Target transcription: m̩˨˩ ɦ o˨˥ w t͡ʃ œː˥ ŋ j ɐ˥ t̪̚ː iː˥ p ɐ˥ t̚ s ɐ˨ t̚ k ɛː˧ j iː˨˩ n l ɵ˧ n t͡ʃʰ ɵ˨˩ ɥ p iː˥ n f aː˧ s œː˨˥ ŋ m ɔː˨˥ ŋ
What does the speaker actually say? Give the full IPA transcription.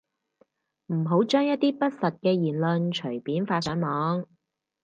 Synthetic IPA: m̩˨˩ ɦ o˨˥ w t͡ʃ œː˥ ŋ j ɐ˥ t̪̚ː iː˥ p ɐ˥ t̚ s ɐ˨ t̚ k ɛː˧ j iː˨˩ n l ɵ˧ n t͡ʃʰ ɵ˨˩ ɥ p iː˨˥ n f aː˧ s œː˨˥ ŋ m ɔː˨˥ ŋ

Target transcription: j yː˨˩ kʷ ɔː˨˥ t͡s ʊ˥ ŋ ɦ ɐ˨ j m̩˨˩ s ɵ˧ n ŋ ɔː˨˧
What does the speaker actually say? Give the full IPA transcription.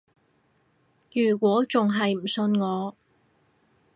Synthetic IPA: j yː˨˩ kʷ ɔː˨˥ t͡s ʊ˨ ŋ ɦ ɐ˨ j m̩˨˩ s ɵ˧ n ŋ ɔː˨˧

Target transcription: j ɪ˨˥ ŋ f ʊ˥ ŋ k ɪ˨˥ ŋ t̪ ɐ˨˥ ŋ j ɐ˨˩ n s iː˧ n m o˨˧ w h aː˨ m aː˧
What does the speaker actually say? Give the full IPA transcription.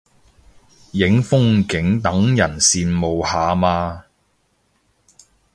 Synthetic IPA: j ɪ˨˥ ŋ f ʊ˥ ŋ k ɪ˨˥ ŋ t̪ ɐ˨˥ ŋ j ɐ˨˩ n s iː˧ n m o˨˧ w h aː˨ m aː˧

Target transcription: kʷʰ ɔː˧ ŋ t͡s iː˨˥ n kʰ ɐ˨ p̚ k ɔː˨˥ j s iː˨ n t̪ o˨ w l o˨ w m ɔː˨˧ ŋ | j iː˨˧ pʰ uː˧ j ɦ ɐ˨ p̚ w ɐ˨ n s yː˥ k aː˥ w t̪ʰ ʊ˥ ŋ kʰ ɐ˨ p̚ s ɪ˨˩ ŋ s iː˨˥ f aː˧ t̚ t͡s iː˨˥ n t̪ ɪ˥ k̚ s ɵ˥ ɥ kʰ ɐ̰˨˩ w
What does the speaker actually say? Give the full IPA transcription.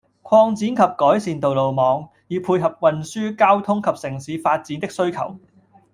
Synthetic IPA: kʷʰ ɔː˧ ŋ t͡s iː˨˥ n kʰ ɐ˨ p̚ k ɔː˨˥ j s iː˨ n t̪ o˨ w l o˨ w m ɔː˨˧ ŋ | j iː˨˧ pʰ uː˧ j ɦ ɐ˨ p̚ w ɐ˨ n s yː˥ k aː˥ w t̪ʰ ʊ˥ ŋ kʰ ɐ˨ p̚ s ɪ˨˩ ŋ s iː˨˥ f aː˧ t̚ t͡s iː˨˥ n t̪ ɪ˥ k̚ s ɵ˥ ɥ kʰ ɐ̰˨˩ w

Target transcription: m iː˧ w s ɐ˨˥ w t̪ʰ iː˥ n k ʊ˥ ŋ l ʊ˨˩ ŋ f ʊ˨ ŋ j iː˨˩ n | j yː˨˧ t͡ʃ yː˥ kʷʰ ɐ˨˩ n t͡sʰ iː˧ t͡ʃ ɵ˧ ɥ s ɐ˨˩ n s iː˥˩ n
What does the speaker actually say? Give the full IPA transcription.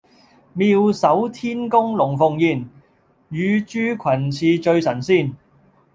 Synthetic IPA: m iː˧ w s ɐ˨˥ w t̪ʰ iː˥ n k ʊ˥ ŋ l ʊ˨˩ ŋ f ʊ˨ ŋ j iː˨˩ n | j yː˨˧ t͡ʃ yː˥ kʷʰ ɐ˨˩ n t͡sʰ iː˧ t͡ʃ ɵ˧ ɥ s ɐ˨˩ n s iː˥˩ n

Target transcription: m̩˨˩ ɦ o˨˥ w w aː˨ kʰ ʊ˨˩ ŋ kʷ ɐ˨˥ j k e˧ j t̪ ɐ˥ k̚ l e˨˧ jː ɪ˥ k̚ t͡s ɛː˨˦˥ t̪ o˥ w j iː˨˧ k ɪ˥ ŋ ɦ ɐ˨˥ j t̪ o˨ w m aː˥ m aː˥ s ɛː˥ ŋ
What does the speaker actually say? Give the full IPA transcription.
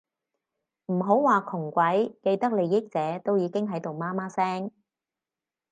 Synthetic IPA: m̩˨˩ ɦ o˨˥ w w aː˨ kʰ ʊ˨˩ ŋ kʷ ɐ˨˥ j k e˧ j t̪ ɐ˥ k̚ l e˨˧ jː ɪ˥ k̚ t͡s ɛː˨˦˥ t̪ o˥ w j iː˨˧ k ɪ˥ ŋ ɦ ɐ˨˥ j t̪ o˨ w m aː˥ m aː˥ s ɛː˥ ŋ

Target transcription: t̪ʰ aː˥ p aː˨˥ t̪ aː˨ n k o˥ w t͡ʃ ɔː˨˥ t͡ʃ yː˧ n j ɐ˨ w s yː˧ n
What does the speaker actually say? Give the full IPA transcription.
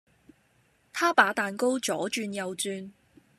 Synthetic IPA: t̪ʰ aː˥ p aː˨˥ t̪ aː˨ n k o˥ w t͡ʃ ɔː˨˥ t͡ʃ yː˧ n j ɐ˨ w t͡s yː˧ n

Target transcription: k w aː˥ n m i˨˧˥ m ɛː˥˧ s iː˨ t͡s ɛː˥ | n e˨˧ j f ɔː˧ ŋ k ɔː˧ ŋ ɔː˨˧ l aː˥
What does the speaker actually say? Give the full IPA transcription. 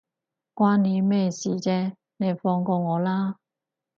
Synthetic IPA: k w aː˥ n n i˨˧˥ m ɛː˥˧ s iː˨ t͡s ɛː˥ | n e˨˧ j f ɔː˧ ŋ k ɔː˧ ŋ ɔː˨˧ l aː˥

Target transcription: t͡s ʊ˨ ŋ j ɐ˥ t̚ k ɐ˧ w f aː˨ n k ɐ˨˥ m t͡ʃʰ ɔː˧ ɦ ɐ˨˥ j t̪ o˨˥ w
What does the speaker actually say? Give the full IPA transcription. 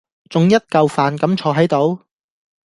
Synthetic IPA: t͡s ʊ˨ ŋ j ɐ˥ t̚ k ɐ˧ w f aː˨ n k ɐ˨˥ m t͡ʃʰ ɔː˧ ɦ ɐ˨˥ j t̪ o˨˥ w

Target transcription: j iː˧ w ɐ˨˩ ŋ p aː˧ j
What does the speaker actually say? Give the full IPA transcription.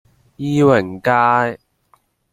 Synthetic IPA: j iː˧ w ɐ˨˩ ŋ k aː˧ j

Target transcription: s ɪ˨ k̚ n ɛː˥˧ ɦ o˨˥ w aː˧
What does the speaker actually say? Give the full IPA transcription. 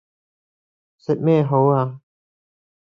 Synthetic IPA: s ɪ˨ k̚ m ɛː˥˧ ɦ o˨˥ w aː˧

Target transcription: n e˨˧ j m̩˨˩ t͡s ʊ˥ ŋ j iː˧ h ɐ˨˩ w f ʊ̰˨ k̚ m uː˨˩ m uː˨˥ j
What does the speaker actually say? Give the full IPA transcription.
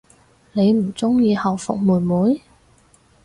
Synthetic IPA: n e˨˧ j m̩˨˩ t͡s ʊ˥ ŋ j iː˧ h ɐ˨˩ w f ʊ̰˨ k̚ m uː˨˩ m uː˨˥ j

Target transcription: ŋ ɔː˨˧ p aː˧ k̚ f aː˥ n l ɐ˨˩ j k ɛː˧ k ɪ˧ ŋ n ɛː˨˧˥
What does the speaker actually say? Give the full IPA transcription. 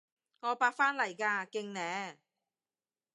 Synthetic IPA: ŋ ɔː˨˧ p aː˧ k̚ f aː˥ n l ɐ˨˩ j k aː˧ k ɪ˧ ŋ n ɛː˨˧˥

